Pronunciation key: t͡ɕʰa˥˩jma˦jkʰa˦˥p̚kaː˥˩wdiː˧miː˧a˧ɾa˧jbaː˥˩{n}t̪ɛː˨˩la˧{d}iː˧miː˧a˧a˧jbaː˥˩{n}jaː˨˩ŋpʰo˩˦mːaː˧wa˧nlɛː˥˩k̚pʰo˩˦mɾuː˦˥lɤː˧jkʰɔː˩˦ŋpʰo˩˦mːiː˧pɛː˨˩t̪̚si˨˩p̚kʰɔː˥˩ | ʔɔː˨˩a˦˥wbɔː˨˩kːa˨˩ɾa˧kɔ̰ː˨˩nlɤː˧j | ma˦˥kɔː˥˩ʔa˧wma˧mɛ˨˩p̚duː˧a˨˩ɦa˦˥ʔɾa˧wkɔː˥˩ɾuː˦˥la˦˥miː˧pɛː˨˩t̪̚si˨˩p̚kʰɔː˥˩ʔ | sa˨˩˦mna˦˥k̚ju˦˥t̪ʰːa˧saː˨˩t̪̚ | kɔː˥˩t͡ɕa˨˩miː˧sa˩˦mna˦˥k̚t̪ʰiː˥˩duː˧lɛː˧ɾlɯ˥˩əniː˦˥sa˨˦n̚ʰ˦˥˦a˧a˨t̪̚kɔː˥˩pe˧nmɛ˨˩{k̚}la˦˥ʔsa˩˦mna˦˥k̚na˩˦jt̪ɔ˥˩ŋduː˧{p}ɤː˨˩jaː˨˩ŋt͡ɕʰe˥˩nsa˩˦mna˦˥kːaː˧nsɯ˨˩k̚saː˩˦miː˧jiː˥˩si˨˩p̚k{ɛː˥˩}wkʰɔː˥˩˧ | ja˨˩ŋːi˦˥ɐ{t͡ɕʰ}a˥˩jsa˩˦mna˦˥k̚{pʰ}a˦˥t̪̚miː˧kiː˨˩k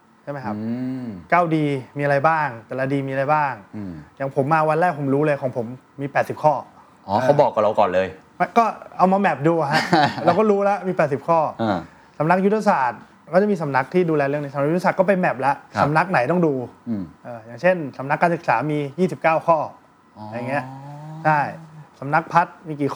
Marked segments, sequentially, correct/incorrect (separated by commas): incorrect, correct, incorrect, incorrect, incorrect, incorrect, correct, correct